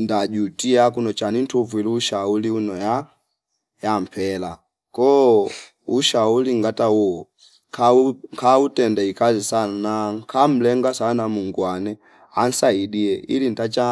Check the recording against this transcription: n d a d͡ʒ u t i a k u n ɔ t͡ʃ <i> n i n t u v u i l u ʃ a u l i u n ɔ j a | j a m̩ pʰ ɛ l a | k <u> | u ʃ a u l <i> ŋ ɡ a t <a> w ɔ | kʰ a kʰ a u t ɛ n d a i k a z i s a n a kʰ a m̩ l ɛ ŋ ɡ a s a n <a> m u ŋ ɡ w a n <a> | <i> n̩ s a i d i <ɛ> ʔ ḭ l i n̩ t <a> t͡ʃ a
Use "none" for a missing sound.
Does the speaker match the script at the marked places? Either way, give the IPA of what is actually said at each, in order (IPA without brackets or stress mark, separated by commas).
a, ɔ, i, a, a, ɛ, a, ɛ, a